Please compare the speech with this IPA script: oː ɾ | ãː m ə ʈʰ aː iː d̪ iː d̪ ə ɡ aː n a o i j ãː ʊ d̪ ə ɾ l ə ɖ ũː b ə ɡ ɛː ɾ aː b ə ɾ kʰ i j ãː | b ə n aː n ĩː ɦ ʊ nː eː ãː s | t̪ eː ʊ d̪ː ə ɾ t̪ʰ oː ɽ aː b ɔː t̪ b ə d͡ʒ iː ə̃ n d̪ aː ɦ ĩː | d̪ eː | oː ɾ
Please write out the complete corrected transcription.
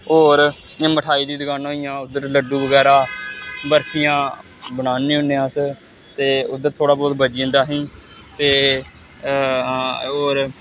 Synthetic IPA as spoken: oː ɾ | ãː m ə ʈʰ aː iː d̪ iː d̪ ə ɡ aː n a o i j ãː ʊ d̪ ə ɾ l ə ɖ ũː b ə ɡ ɛː ɾ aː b ə ɾ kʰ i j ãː | b ə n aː n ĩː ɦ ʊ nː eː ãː s | t̪ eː ʊ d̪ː ə ɾ t̪ʰ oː ɽ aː b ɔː t̪ b ə d͡ʒ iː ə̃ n d̪ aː ɦ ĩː | t̪ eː | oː ɾ